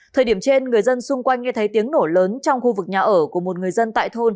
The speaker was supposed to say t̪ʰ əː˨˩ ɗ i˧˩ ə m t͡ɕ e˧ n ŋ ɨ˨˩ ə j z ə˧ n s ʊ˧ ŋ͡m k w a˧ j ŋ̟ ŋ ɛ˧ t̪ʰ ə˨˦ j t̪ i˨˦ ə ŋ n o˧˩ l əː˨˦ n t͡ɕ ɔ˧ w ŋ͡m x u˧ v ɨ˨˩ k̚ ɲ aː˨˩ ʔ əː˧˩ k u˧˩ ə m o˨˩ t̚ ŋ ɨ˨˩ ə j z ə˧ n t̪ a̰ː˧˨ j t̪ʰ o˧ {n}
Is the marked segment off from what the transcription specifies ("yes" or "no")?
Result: no